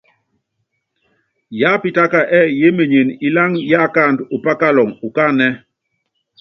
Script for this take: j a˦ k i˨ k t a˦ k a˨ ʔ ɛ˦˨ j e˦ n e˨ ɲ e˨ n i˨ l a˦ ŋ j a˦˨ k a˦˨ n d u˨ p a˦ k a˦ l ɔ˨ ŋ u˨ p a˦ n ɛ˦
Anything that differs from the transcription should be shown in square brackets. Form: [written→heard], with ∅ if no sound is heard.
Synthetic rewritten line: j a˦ [k→p] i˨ [k→∅] t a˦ k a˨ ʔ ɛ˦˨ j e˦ [n→m] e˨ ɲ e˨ n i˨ l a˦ ŋ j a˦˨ k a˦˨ n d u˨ p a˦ k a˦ l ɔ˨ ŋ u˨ [p→k] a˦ n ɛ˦